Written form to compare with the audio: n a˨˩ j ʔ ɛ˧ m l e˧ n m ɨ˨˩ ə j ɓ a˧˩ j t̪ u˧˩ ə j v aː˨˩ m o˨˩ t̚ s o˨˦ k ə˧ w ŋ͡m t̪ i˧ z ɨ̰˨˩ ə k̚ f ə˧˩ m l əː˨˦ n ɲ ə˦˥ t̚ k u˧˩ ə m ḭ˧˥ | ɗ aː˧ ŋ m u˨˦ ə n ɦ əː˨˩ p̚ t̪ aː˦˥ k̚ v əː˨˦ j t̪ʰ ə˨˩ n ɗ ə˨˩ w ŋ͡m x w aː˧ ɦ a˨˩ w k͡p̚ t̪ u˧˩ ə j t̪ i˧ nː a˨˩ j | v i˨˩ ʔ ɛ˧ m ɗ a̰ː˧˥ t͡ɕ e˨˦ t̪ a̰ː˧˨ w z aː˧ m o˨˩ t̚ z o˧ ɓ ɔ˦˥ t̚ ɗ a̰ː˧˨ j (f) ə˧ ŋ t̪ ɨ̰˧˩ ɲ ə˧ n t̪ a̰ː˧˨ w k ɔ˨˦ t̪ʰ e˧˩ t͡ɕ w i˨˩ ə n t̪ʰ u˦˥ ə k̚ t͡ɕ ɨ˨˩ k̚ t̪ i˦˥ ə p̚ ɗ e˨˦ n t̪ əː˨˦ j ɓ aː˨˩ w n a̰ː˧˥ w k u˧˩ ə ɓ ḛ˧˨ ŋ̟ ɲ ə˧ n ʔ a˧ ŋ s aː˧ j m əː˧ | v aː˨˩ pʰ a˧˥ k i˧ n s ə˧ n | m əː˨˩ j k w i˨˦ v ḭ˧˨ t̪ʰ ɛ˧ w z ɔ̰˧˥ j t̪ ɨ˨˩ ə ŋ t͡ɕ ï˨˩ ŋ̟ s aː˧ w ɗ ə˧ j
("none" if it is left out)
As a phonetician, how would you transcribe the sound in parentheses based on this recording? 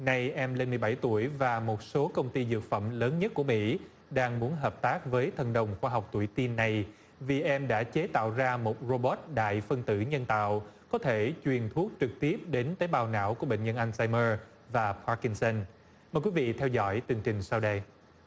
f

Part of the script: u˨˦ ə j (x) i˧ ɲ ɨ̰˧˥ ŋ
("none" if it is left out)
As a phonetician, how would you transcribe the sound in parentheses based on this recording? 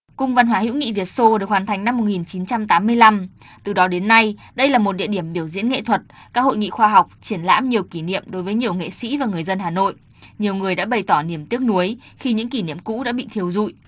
x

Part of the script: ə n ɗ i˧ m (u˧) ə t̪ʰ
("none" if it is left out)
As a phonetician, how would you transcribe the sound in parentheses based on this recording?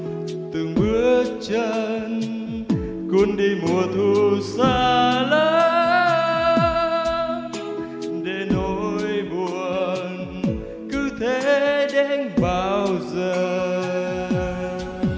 u˨˩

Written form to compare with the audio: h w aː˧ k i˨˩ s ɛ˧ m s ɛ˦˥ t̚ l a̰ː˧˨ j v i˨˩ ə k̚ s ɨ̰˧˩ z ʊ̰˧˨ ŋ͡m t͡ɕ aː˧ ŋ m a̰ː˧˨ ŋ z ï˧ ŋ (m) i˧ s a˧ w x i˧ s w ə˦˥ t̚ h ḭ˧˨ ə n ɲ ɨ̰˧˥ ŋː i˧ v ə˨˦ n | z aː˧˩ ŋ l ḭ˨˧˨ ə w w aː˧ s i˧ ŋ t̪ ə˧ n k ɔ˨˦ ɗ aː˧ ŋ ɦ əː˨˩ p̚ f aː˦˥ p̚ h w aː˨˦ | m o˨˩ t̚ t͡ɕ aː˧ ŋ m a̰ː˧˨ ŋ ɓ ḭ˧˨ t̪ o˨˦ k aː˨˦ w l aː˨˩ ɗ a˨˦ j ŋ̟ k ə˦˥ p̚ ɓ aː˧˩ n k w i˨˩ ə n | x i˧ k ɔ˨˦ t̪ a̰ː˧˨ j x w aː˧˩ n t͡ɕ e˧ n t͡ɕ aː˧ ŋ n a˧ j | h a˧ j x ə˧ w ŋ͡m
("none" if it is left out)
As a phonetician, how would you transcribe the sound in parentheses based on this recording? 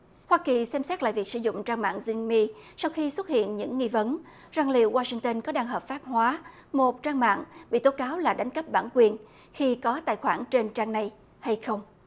m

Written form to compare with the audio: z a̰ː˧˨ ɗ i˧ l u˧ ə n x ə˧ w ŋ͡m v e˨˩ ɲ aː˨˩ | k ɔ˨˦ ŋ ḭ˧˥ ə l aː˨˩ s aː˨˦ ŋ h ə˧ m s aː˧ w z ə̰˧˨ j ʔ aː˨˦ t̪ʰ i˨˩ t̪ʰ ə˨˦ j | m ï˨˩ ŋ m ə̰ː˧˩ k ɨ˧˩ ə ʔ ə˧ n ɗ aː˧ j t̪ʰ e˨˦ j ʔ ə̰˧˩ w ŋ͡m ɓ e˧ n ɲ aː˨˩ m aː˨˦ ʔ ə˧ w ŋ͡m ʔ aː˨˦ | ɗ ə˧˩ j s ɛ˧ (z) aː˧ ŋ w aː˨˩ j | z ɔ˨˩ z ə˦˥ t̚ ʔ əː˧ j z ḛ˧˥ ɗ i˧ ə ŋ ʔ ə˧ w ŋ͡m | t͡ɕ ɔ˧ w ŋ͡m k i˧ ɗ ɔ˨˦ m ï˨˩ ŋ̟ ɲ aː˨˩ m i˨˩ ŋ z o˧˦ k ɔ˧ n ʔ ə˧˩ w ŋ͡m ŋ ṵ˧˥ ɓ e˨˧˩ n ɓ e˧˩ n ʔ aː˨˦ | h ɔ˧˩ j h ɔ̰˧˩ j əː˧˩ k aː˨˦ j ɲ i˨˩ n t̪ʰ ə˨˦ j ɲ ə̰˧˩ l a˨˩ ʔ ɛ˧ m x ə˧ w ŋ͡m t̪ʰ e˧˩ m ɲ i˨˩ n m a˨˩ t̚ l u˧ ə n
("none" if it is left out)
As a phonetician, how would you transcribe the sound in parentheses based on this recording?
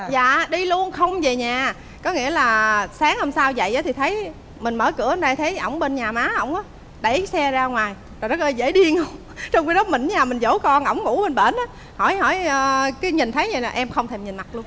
z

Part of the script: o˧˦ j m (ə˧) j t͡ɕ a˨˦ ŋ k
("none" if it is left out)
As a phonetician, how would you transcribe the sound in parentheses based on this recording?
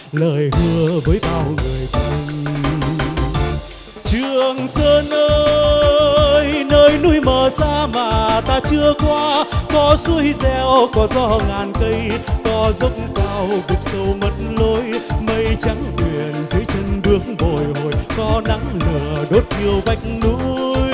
ə˧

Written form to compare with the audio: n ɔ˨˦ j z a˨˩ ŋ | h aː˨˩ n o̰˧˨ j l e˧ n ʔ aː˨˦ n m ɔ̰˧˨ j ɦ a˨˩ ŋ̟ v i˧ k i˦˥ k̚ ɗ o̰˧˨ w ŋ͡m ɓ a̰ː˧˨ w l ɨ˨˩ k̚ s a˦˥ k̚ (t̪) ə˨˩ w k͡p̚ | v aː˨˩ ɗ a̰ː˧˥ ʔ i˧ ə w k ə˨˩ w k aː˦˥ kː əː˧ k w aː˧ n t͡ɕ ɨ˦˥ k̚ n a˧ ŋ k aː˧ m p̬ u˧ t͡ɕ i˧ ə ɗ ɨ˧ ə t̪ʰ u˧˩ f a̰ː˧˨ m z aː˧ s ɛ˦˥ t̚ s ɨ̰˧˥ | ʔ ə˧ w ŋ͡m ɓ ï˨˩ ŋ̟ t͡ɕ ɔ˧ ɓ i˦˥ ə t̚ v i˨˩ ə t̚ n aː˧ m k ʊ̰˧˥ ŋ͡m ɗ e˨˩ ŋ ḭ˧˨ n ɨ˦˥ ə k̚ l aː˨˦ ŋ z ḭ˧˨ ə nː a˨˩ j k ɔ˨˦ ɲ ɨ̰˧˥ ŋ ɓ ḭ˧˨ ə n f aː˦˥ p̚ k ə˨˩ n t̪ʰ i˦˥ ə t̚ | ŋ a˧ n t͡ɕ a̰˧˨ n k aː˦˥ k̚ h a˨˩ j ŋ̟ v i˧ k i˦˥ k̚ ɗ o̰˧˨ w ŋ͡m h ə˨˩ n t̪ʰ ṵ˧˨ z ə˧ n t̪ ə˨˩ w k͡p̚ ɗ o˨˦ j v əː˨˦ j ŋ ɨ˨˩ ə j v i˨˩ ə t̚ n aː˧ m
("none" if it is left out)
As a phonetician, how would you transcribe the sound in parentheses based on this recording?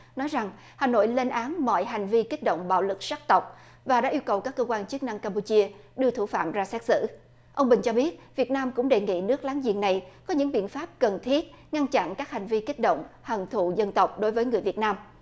t̪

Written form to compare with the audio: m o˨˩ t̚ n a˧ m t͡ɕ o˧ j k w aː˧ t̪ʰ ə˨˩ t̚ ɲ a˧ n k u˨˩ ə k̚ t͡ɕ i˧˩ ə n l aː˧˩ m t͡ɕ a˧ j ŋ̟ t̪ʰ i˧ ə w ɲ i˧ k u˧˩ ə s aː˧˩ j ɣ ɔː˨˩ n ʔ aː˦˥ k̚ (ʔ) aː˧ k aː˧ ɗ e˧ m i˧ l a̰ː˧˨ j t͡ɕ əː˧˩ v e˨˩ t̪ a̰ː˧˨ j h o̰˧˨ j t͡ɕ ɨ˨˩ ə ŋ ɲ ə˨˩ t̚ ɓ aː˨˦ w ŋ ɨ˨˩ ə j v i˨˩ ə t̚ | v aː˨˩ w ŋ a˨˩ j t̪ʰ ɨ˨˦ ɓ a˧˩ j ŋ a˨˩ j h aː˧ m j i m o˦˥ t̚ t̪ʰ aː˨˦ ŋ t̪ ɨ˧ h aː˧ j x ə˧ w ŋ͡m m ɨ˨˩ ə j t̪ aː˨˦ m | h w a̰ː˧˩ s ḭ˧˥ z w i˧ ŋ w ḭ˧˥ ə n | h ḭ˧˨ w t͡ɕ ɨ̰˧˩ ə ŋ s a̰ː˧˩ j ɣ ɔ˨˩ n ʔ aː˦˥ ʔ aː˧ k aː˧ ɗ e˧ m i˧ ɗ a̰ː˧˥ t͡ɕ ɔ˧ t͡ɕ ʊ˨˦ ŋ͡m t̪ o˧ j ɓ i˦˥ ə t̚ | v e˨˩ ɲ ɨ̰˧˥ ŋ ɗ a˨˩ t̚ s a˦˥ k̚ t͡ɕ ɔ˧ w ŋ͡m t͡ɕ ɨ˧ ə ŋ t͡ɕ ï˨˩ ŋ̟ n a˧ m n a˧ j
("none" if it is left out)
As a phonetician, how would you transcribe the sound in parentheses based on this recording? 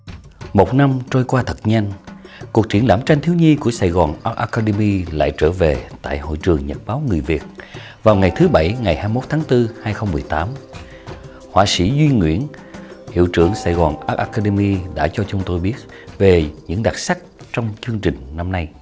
ʔ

